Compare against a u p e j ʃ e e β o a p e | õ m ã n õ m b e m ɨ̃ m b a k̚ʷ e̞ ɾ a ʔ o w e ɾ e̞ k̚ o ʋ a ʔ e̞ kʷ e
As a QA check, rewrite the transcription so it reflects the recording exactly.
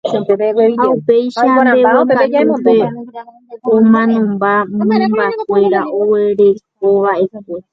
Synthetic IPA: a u p e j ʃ a e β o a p e | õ m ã n õ m b a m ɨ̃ m b a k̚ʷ e̞ ɾ a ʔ o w e ɾ e̞ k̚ o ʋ a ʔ e̞ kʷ e